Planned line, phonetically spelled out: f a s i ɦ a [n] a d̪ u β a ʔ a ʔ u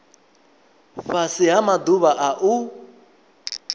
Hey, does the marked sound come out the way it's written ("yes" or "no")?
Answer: no